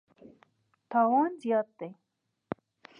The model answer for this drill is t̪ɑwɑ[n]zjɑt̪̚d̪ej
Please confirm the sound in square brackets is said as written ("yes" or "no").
yes